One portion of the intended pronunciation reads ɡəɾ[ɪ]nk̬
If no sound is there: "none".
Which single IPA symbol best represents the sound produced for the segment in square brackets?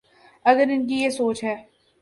ɪ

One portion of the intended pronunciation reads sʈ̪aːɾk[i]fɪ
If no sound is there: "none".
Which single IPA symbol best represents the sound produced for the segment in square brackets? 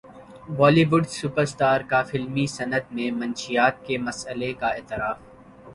a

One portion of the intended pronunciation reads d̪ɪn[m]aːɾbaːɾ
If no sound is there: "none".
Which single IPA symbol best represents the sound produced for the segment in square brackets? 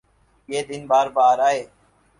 b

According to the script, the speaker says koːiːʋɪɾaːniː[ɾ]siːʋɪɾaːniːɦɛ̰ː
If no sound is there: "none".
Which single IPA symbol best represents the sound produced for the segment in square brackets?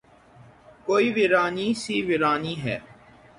none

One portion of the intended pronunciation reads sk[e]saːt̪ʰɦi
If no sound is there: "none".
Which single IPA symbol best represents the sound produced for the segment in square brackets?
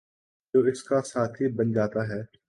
a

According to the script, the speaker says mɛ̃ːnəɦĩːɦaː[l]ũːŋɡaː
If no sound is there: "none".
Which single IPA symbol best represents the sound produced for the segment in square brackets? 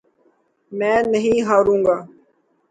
ɾ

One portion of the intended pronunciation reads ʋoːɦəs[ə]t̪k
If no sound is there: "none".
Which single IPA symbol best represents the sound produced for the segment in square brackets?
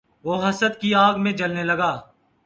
ə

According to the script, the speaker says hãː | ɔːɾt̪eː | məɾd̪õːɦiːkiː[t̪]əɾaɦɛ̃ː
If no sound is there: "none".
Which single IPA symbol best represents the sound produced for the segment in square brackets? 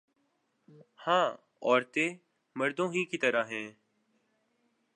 t̪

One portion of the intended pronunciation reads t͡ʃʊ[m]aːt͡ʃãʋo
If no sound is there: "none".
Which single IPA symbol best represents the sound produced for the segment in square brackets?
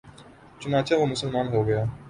n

